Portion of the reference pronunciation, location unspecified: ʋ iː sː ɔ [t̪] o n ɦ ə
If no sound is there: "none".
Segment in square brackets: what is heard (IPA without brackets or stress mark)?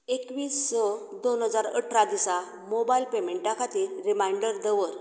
d̪